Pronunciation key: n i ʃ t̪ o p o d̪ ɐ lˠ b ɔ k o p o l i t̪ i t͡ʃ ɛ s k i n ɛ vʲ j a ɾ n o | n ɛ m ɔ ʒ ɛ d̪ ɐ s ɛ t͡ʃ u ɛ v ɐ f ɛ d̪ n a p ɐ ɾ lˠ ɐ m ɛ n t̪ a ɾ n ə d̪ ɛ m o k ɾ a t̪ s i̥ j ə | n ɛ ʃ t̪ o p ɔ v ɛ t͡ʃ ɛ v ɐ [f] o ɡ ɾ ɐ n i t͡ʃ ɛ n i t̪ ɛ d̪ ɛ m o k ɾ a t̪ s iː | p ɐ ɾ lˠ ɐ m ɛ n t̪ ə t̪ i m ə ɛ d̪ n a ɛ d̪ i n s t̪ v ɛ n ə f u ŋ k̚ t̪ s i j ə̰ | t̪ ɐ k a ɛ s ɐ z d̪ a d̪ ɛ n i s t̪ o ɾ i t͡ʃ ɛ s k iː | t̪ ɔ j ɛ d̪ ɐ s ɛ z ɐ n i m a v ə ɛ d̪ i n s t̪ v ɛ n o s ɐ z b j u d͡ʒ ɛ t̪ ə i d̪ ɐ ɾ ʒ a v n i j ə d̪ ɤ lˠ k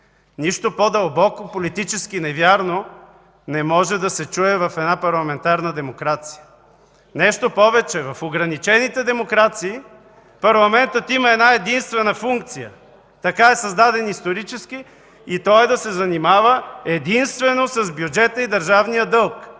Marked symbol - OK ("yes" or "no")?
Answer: yes